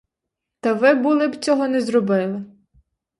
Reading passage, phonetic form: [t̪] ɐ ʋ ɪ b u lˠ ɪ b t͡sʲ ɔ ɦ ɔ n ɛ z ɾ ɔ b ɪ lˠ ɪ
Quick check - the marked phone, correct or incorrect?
correct